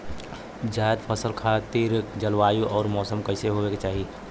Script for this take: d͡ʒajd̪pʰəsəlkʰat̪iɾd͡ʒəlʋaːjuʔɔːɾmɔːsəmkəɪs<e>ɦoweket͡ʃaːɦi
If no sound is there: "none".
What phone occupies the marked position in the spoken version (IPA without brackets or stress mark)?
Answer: e